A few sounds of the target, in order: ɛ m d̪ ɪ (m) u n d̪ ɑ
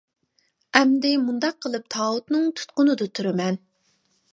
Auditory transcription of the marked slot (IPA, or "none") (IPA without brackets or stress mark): m